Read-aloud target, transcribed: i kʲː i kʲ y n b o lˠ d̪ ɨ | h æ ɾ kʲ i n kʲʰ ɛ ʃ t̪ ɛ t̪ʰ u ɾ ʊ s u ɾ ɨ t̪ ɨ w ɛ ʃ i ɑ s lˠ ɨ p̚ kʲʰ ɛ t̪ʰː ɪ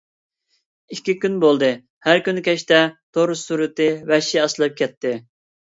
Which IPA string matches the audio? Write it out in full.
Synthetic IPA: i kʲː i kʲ y n b o lˠ d̪ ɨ | h æ ɾ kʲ y n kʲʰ ɛ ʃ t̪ ɛ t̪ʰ o ɾ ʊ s u ɾ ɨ t̪ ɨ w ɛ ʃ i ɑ s lˠ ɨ p̚ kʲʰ ɛ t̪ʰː ɪ